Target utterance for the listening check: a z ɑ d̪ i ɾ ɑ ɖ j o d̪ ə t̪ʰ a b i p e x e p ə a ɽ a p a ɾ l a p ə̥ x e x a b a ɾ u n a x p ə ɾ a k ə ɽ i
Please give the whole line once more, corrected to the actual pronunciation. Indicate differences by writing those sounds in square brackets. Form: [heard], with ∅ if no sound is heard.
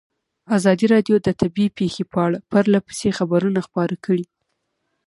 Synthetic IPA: a z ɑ d̪ i ɾ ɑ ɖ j o d̪ ə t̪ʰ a b i p e x e p ə a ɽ a p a ɾ l a p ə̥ [s] e x a b a ɾ u n a x p [ɑ] ɾ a k ə ɽ i

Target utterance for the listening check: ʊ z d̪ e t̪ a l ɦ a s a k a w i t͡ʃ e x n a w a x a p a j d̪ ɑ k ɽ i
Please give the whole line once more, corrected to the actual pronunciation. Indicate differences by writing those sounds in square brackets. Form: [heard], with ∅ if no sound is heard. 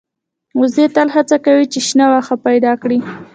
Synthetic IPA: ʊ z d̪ e t̪ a l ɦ a [t͡s] a k a w i t͡ʃ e [ʃ] n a w a x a p a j d̪ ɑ k ɽ i

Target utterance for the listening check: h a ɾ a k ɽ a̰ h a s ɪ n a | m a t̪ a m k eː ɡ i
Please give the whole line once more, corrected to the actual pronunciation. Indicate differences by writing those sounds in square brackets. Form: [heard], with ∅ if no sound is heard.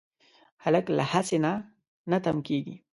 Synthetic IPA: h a [l] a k [l] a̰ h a s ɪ n a | [n] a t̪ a m k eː ɡ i

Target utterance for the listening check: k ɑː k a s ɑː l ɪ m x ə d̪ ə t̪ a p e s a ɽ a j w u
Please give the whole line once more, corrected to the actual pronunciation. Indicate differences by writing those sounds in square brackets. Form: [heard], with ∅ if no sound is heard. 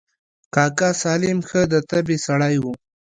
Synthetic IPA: k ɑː k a s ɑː l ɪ m x ə d̪ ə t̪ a [b] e s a ɽ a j w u

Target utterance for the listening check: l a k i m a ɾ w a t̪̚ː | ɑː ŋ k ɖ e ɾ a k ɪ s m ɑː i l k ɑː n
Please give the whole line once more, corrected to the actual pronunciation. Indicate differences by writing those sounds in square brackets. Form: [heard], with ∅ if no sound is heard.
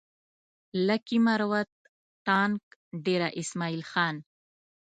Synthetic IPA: l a k i m a ɾ w a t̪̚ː | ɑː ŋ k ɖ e ɾ a [ʔ] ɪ s m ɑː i l [x] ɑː n

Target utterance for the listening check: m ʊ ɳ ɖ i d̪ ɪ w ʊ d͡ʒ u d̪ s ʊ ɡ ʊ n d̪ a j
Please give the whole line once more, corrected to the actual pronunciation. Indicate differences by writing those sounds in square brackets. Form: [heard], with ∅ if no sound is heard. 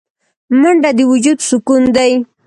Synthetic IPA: m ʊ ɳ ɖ [a] d̪ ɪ w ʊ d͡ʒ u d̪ s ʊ [k] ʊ n d̪ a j

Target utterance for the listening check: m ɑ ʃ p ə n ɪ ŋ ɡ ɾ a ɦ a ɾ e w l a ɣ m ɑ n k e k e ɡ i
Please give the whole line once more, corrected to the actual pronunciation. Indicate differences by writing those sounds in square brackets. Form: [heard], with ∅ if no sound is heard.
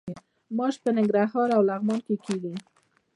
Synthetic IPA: m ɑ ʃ p ə n ɪ ŋ ɡ ɾ a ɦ [ɑ] ɾ [a] w l a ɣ m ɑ n k e k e ɡ i

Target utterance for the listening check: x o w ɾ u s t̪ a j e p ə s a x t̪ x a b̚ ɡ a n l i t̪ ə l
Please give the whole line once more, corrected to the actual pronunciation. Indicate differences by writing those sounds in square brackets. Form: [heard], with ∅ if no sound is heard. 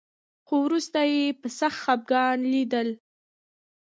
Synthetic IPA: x o w ɾ u s t̪ a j e p ə s a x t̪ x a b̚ ɡ [ɑ] n l i [d̪] ə l

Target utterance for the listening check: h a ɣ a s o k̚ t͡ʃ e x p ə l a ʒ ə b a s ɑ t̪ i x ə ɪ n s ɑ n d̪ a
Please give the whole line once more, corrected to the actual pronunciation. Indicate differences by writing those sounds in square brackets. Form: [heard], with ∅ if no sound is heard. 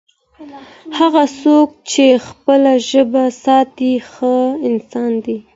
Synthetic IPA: h a ɣ a s o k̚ t͡ʃ e x p ə l a ʒ ə b a s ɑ t̪ i x ə ɪ n s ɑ n d̪ [i]

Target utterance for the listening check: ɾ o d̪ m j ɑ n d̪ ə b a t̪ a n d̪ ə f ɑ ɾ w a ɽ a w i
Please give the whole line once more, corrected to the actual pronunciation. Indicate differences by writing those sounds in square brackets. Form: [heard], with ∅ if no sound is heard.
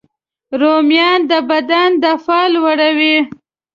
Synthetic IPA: ɾ o [∅] m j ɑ n d̪ ə b a [d̪] a n d̪ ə f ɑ [l] w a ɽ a w i

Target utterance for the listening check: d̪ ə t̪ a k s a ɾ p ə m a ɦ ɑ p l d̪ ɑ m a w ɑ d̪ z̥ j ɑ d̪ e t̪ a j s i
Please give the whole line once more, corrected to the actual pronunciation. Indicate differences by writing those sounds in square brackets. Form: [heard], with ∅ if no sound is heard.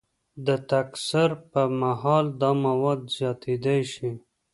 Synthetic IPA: d̪ ə t̪ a k s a ɾ p ə m a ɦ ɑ [∅] l d̪ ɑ m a w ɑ d̪ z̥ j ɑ [t̪] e [d̪] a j [ʃ] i

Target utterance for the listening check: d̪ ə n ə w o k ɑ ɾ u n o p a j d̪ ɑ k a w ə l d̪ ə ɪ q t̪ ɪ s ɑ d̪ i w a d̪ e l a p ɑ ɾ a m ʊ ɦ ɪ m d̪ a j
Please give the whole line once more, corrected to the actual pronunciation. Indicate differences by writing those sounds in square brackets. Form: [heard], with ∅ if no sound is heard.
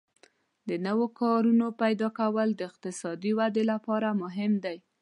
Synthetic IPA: d̪ ə n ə w o k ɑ ɾ u n o p a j d̪ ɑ k a w ə l d̪ ə ɪ q t̪ ɪ s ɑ d̪ i w a d̪ e l a p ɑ ɾ a m ʊ ɦ ɪ m d̪ a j

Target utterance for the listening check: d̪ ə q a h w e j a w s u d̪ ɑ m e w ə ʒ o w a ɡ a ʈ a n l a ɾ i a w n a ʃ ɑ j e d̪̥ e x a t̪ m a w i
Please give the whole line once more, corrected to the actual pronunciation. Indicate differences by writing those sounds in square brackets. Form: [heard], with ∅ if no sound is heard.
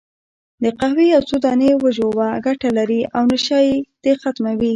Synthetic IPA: d̪ ə q a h w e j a w s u d̪ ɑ [n] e w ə ʒ o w a ɡ a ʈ a [∅] l a ɾ i a w n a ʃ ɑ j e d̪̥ e x a t̪ m a w i

